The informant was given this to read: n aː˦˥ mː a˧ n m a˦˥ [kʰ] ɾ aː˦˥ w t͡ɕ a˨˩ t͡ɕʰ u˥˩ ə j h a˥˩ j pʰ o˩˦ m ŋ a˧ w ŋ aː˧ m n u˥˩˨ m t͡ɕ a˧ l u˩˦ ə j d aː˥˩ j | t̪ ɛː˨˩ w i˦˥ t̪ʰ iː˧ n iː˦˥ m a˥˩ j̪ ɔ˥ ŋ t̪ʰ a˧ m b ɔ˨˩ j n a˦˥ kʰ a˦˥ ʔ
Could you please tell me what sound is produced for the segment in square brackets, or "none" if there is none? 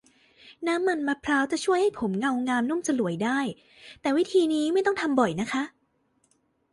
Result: pʰ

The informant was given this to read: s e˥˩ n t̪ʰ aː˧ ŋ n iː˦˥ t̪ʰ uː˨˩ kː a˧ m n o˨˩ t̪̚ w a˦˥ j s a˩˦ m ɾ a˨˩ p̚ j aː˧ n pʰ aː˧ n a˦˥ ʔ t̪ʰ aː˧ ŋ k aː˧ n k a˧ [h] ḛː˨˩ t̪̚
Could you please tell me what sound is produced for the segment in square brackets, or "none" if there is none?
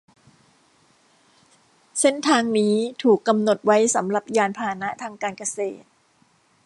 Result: s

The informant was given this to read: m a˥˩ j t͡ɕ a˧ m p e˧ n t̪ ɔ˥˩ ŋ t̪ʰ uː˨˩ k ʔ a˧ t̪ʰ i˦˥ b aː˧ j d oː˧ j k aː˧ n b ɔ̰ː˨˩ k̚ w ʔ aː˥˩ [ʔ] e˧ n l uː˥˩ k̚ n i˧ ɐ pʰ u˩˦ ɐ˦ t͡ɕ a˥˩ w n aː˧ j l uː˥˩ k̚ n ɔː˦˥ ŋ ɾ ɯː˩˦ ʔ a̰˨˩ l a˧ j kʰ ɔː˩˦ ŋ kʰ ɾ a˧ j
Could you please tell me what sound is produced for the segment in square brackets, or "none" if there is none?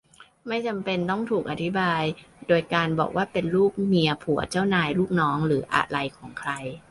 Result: p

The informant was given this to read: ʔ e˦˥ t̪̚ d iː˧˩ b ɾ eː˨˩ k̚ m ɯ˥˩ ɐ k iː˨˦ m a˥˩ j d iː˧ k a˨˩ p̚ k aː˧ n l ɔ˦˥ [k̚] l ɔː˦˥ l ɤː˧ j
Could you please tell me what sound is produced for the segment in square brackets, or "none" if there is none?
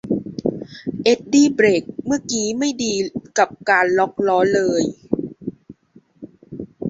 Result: k̚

